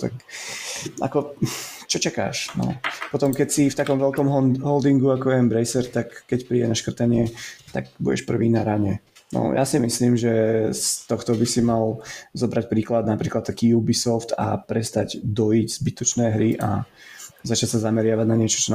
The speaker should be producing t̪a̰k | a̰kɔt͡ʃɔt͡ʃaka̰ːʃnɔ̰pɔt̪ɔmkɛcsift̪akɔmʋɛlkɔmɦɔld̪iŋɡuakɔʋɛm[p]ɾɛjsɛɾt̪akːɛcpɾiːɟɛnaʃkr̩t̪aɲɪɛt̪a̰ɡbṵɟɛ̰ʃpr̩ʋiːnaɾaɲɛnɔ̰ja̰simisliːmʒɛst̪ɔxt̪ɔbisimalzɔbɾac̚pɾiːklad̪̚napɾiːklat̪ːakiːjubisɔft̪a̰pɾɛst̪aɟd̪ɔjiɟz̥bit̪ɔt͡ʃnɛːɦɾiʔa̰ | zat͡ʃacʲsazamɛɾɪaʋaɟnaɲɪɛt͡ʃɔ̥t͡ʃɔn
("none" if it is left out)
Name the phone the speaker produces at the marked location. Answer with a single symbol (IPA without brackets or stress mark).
b